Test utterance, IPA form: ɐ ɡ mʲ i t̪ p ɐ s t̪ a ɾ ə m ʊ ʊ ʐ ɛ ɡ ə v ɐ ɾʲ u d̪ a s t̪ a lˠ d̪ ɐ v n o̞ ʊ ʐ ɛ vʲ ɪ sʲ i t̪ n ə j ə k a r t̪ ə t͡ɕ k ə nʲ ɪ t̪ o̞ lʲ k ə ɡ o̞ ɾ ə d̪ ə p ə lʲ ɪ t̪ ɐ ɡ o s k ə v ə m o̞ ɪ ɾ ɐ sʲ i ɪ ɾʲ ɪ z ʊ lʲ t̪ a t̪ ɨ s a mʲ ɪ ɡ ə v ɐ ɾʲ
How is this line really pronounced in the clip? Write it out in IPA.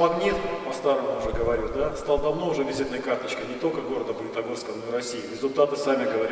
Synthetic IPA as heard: ɐ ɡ nʲ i t̪ p ɐ s t̪ a ɾ ə m ʊ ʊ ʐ ɛ ɡ ə v ɐ ɾʲ u d̪ a s t̪ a lˠ d̪ ɐ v n o̞ ʊ ʐ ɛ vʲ ɪ zʲ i t̪ n ə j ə k a r t̪ ə t͡ɕ k ə nʲ ɪ t̪ o̞ lʲ k ə ɡ o̞ ɾ ə d̪ ə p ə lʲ ɪ t̪ ɐ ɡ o s k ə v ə n o̞ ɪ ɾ ɐ sʲ i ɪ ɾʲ ɪ z ʊ lʲ t̪ a t̪ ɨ s a mʲ ɪ ɡ ə v ɐ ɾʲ